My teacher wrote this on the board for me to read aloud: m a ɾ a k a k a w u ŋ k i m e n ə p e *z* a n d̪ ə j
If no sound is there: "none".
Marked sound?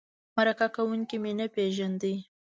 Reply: ʒ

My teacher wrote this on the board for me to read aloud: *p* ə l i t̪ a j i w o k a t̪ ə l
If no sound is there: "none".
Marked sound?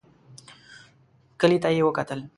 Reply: k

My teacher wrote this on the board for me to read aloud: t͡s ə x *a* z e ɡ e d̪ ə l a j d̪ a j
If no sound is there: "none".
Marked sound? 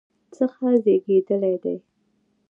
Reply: a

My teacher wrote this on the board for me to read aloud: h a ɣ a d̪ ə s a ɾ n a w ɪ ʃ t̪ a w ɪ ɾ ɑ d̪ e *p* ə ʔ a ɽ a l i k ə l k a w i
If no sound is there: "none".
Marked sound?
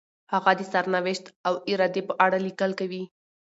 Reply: p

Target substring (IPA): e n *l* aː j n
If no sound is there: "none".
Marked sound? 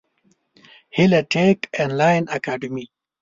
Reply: l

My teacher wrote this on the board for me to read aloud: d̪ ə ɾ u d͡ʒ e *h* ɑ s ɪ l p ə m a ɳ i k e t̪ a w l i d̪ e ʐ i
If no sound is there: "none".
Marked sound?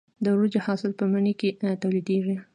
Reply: h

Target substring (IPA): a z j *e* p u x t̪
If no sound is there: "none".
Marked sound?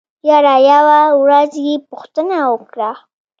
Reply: e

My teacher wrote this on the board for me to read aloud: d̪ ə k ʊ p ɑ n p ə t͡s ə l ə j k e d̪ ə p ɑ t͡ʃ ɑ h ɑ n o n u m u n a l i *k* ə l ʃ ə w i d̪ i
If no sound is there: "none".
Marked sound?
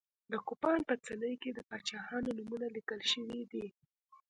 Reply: k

